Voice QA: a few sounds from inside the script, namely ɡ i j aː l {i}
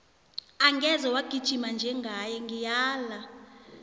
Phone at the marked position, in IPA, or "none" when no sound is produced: a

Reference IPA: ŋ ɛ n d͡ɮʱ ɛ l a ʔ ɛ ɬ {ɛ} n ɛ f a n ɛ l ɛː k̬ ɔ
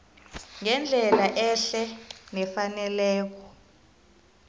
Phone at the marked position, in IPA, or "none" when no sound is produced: ɛ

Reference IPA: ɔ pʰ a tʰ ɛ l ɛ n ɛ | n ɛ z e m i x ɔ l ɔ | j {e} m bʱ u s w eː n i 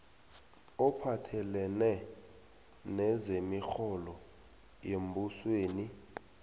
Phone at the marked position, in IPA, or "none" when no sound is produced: e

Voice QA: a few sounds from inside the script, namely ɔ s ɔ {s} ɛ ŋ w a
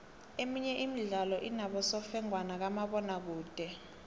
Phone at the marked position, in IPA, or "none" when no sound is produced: f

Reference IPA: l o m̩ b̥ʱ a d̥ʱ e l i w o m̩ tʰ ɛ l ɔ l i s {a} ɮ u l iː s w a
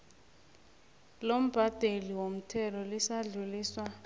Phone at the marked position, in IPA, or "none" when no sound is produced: a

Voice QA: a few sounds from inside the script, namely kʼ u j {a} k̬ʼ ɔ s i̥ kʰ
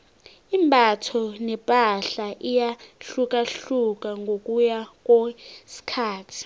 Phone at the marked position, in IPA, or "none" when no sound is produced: a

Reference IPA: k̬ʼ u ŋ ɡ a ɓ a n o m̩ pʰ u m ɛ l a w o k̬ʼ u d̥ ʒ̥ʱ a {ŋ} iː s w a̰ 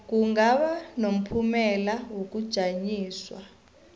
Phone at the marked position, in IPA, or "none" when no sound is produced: ɲ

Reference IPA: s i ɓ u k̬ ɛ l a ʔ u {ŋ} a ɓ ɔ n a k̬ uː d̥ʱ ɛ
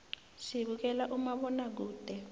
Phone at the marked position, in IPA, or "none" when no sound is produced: m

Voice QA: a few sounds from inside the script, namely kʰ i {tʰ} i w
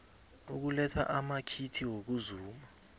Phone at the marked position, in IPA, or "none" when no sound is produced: tʰ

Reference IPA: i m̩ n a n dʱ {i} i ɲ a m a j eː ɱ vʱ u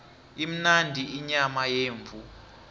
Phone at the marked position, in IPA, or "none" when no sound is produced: i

